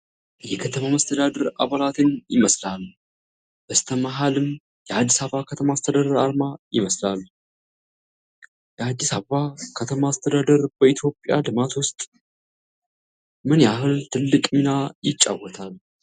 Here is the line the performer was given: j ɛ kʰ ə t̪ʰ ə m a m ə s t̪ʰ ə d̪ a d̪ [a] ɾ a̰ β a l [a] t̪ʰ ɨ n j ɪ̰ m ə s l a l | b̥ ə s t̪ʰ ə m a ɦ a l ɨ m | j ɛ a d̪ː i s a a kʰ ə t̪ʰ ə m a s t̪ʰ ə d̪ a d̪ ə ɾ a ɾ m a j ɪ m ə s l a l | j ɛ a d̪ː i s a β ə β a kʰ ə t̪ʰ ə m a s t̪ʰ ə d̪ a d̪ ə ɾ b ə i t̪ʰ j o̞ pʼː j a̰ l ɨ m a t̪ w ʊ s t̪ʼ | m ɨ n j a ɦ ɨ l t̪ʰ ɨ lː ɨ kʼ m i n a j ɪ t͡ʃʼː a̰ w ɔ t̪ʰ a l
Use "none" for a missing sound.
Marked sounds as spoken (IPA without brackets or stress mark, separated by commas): ə, a